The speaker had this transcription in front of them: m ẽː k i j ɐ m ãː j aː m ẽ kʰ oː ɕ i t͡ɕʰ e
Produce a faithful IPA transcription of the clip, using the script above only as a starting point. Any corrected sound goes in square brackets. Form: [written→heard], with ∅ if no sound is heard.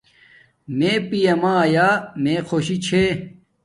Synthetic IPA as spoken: m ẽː [k→p] i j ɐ m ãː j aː m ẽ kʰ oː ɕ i t͡ɕʰ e